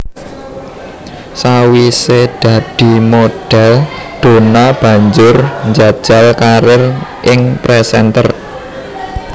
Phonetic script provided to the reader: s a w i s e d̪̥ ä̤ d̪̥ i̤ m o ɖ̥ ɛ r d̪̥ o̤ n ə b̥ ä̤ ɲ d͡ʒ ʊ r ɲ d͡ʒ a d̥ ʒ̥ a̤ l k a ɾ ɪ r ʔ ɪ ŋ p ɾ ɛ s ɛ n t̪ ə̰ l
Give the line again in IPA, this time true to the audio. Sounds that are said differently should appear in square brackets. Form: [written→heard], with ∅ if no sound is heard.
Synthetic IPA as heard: s a w i s e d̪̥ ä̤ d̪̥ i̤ m o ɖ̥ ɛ [r→l] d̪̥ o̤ n [ə→a] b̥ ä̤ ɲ d͡ʒ ʊ r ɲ d͡ʒ a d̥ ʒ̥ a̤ l k a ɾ ɪ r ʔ ɪ ŋ p ɾ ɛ s ɛ n t̪ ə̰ [l→r]